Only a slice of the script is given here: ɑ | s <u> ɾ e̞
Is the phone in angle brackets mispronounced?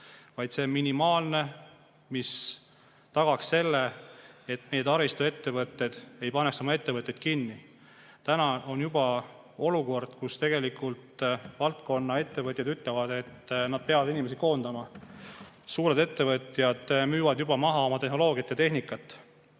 yes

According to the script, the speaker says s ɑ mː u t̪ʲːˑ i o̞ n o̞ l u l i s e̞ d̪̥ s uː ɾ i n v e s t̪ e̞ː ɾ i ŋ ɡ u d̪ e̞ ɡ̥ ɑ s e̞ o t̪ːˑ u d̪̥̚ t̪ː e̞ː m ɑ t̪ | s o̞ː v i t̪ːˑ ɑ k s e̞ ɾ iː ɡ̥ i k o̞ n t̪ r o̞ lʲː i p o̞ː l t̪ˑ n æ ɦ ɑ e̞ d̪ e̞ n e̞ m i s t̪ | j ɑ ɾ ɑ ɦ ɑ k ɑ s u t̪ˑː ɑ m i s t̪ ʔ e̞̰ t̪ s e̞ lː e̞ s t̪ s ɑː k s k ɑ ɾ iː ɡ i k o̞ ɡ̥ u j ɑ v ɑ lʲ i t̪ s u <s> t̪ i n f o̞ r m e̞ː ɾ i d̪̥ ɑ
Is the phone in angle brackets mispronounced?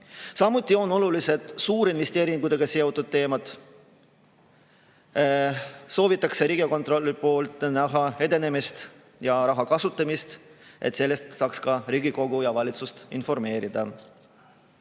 no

